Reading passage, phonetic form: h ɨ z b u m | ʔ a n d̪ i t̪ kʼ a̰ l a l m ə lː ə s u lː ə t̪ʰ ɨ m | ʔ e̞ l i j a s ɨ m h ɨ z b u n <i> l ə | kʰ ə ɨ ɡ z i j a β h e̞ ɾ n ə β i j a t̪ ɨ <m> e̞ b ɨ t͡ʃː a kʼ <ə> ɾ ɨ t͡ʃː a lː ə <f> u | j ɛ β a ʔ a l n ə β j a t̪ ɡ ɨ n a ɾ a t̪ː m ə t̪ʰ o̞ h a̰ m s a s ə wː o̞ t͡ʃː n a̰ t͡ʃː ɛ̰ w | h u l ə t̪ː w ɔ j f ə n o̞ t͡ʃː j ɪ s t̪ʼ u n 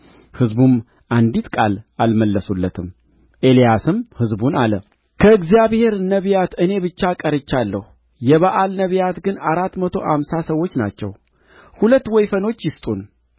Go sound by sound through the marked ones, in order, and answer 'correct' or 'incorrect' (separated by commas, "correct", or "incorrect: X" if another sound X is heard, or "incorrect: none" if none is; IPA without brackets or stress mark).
incorrect: a, incorrect: n, correct, incorrect: h